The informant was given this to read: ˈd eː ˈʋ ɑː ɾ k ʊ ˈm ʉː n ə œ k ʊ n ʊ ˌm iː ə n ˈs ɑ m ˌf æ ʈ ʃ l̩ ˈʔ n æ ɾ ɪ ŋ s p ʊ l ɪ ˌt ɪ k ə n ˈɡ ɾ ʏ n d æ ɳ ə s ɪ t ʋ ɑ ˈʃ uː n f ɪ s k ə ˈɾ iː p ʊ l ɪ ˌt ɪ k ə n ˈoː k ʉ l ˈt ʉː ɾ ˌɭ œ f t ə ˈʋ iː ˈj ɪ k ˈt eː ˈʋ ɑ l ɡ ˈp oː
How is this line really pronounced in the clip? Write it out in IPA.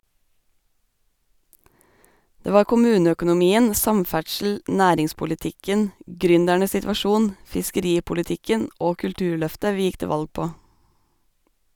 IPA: ˈd eː ˈʋ ɑː ɾ k ʊ ˈm ʉː n ə œ k ʊ n ʊ ˌm iː ə n ˈs ɑ m ˌf æ ʈ ʃ l̩ ˈʔ n æː ɾ ɪ ŋ s p ʊ l ɪ ˌt ɪ k ə n ˈɡ ɾ ʏ n d æ ɳ ə s ɪ t ʋ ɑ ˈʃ uː n f ɪ s k ə ˈɾ iː p ʊ l ɪ ˌt ɪ k ə n ˈoː k ʉ l ˈt ʉː ɾ ˌɭ œ f t ə ˈʋ iː ˈj ɪ k ˈt eː ˈʋ ɑ l ɡ ˈp oː